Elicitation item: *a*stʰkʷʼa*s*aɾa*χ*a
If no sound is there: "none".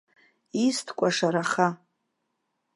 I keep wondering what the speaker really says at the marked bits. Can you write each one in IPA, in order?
i, ʂ, χ

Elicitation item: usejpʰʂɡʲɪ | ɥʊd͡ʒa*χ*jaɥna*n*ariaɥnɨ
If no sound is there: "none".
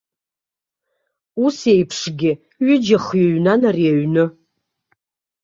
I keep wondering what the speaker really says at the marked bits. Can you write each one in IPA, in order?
χ, n

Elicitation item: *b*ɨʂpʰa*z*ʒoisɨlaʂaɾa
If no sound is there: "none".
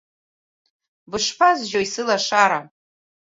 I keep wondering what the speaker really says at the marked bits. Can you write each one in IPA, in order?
b, z

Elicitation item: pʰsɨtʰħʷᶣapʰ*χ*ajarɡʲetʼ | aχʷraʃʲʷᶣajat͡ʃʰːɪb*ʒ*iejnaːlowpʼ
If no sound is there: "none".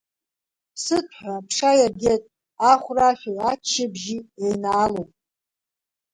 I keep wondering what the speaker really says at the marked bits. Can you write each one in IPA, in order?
ʂ, ʒ

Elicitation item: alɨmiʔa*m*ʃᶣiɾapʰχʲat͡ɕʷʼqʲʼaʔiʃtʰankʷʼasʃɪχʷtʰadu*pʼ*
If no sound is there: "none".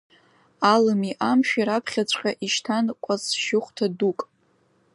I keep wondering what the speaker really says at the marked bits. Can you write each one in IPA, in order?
m, kʼ

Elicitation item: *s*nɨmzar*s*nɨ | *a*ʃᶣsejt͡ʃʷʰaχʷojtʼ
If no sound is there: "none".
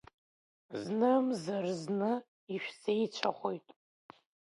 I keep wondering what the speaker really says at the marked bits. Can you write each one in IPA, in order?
z, z, i

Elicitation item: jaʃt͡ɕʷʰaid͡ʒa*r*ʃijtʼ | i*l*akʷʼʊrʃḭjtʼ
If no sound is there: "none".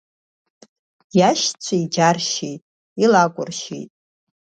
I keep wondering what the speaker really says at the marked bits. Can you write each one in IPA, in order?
r, l

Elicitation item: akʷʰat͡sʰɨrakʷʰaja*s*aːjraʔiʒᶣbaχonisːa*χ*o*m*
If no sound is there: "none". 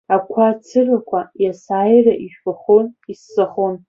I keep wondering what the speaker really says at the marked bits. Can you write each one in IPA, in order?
s, χ, n

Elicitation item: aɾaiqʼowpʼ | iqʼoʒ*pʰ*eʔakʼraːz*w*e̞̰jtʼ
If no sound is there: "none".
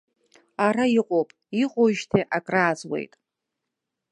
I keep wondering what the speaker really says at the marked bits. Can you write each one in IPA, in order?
tʰ, w

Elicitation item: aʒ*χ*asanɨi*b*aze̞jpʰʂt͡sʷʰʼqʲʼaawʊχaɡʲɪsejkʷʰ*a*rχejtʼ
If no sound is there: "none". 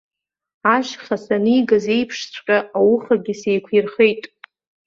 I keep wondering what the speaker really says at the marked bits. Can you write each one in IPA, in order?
χ, ɡ, i

